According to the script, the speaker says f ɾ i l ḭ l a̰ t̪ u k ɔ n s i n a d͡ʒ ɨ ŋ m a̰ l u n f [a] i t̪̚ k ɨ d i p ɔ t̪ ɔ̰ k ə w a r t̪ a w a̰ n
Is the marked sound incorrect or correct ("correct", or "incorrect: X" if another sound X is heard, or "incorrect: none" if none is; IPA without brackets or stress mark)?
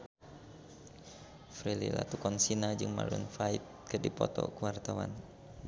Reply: correct